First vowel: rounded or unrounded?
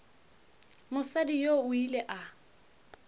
rounded